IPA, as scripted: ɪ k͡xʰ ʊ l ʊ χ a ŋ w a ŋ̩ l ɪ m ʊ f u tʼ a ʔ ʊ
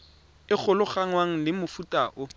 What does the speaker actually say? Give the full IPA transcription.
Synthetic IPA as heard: ɪ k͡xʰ ʊ l ʊ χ a ŋ w a ŋ̩ l ɪ m ʊ f u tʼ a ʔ ʊ